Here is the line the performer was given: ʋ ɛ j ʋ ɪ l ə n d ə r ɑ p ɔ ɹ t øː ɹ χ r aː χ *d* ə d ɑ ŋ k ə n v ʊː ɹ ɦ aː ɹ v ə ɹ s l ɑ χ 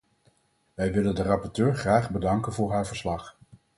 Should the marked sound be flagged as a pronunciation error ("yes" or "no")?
yes